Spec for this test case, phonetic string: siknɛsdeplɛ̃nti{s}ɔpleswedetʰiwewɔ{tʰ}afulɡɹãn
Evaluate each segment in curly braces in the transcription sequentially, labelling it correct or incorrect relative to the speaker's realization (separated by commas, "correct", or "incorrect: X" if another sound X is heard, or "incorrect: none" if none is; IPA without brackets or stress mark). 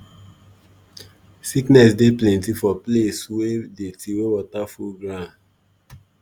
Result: incorrect: f, incorrect: t